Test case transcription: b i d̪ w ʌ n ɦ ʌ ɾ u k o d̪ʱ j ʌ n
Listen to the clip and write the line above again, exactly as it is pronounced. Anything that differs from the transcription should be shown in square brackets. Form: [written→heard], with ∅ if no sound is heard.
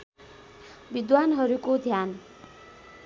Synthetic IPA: b i d̪ w [ʌ→a] n ɦ ʌ ɾ u k o d̪ʱ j [ʌ→a] n